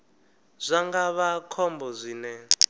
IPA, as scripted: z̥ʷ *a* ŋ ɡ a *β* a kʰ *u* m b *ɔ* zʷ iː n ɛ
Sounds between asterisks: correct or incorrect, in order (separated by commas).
correct, correct, incorrect, correct